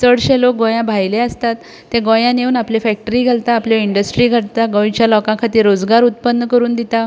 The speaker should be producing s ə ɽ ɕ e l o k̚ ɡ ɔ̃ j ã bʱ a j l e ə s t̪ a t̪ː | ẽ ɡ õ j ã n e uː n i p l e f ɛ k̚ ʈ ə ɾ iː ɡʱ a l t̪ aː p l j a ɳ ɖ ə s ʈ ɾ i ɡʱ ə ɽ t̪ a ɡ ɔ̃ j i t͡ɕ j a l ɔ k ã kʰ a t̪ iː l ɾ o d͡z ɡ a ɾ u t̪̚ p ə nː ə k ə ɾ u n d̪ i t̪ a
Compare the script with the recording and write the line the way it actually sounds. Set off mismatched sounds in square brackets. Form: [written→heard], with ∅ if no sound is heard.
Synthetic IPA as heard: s ə ɽ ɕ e l o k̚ ɡ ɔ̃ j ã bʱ a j l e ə s t̪ a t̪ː | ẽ ɡ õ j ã n e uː n [i→a] p l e f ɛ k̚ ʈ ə ɾ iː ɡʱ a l t̪ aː p l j [a→i] ɳ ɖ ə s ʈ ɾ i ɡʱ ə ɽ t̪ a ɡ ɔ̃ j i t͡ɕ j a l ɔ k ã kʰ a t̪ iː [l→∅] ɾ o d͡z ɡ a ɾ u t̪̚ p ə nː ə k ə ɾ [u→uː] n d̪ i t̪ a